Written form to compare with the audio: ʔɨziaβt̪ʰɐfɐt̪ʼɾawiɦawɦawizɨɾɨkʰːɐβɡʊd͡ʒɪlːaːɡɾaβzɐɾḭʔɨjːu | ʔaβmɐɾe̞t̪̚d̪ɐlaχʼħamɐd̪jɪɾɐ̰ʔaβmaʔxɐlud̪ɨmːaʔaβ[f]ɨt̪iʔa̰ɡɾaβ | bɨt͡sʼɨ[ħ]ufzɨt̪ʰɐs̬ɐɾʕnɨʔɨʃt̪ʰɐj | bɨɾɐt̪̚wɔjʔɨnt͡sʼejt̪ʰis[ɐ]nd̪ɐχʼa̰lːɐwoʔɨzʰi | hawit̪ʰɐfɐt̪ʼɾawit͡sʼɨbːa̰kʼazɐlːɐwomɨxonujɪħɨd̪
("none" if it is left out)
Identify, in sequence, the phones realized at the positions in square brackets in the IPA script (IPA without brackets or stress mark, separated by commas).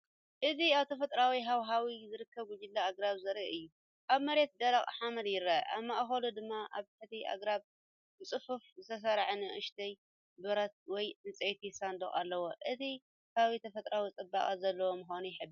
ħ, f, a